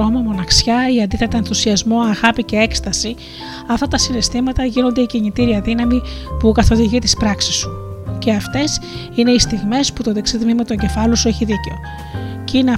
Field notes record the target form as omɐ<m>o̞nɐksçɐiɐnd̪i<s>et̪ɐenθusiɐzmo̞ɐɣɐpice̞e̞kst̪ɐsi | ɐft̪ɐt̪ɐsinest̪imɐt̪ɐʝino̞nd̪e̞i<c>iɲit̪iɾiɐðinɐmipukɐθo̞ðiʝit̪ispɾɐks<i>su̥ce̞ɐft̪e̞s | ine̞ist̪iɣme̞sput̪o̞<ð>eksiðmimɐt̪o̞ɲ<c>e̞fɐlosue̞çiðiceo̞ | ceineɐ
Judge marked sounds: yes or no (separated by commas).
yes, no, yes, yes, yes, no